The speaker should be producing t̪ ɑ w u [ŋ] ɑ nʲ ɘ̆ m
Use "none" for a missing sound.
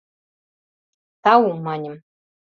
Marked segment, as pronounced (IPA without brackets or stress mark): m